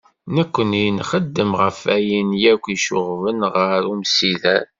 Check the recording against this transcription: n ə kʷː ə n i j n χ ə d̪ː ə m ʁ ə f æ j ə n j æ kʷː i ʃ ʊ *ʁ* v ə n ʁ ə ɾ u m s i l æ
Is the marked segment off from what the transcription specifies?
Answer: no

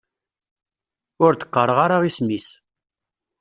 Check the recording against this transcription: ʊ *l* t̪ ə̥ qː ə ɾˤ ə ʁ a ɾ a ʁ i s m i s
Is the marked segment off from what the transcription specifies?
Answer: yes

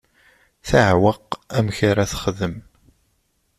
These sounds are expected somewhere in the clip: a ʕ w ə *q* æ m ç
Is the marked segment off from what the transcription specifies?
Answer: no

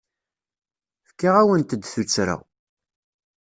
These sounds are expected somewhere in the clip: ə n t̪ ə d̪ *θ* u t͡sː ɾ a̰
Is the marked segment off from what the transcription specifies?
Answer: no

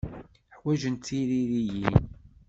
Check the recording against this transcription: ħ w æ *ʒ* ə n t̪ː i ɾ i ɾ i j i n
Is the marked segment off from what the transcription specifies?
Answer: no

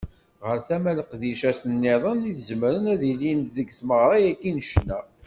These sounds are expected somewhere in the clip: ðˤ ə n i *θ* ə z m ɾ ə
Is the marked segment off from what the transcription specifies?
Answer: no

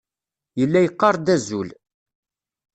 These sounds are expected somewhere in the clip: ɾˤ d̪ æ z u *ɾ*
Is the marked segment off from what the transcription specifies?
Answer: yes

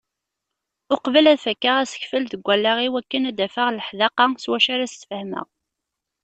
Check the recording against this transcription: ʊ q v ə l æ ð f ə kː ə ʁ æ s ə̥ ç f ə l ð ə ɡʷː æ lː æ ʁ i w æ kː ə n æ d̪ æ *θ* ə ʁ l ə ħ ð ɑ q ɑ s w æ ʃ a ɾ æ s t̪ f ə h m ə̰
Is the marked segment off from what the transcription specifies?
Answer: yes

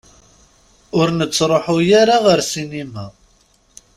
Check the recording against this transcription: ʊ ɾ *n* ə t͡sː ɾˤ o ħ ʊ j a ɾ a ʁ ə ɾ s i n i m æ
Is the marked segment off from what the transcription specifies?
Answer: no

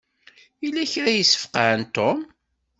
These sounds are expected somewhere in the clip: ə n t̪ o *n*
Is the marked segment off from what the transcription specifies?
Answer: yes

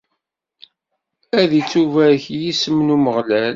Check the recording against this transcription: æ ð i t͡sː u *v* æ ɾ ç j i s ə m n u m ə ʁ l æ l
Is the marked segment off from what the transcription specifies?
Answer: no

